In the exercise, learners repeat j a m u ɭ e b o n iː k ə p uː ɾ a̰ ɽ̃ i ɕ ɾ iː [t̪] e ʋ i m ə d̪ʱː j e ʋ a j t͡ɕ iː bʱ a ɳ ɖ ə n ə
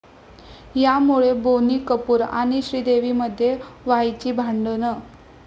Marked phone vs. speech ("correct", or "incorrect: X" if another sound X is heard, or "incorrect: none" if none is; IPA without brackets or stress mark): incorrect: d̪